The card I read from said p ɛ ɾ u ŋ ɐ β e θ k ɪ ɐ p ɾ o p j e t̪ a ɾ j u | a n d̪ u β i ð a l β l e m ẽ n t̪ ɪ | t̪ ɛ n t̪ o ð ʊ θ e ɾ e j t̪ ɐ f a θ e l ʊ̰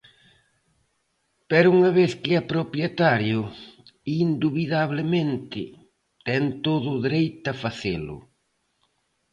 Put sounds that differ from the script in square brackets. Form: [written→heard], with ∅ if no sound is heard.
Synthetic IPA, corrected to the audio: p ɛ ɾ u ŋ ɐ β e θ k ɪ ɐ p ɾ o p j e t̪ a ɾ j [u→ʊ] | [a→i] n d̪ u β i ð a [l→∅] β l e m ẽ n t̪ ɪ | t̪ ɛ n t̪ o ð ʊ [θ→ð] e ɾ e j t̪ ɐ f a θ e l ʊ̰

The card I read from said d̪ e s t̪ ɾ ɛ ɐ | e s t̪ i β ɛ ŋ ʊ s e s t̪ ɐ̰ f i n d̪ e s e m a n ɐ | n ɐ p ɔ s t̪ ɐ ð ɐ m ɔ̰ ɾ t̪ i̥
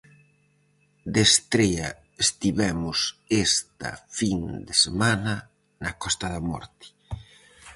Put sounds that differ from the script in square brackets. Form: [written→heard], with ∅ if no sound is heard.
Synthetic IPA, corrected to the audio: d̪ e s t̪ ɾ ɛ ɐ | e s t̪ i β ɛ [ŋ→m] ʊ s e s t̪ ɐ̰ f i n d̪ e s e m a n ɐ | n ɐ [p→k] ɔ s t̪ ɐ ð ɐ m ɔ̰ ɾ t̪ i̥

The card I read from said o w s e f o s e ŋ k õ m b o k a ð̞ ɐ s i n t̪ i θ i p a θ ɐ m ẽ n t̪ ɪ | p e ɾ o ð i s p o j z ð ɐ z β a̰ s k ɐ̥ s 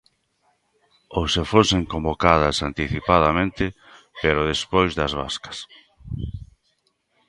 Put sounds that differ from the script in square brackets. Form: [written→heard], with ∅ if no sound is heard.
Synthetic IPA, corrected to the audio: o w s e f o s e ŋ k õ m b o k a ð̞ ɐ s [i→a] n t̪ i θ i p a [θ→ð] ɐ m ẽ n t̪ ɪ | p e ɾ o ð [i→e] s p o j z ð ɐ z β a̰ s k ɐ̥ s

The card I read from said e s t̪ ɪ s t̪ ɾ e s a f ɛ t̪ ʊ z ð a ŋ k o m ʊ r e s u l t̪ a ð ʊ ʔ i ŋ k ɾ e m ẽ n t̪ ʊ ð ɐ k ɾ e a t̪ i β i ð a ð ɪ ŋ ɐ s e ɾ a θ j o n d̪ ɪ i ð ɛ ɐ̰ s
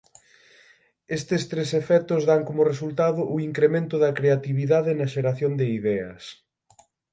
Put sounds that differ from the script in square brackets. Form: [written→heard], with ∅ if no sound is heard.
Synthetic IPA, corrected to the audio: e s t̪ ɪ s t̪ ɾ e s [a→e] f ɛ t̪ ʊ z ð a ŋ k o m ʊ r e s u l t̪ a ð ʊ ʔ i ŋ k ɾ e m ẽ n t̪ ʊ ð ɐ k ɾ e a t̪ i β i ð a ð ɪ [ŋ→n] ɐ [s→ʃ] e ɾ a θ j o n d̪ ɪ i ð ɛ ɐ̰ s

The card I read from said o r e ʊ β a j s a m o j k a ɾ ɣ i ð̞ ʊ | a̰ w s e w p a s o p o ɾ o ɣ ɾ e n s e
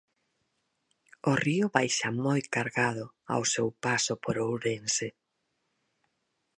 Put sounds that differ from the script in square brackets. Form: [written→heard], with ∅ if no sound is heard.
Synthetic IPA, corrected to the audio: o r [e→i] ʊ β a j [s→ʃ] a m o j k a ɾ ɣ [i→a] ð̞ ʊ | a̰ w s e w p a s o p o ɾ o [ɣ→w] ɾ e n s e

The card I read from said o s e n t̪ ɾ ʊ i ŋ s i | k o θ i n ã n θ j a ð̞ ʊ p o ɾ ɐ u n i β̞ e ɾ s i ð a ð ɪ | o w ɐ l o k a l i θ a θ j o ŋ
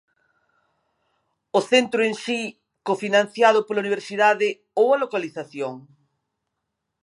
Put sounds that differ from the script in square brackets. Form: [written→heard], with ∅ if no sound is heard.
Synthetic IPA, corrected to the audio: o [s→θ] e n t̪ ɾ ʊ [i→e] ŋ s i | k o [θ→f] i n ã n θ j a ð̞ ʊ p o [ɾ→l] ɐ u n i β̞ e ɾ s i ð a ð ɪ | o w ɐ l o k a l i θ a θ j o ŋ

